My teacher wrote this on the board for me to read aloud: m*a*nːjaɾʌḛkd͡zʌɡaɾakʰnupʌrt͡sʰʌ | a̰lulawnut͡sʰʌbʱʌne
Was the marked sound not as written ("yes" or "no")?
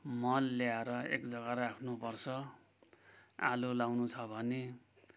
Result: yes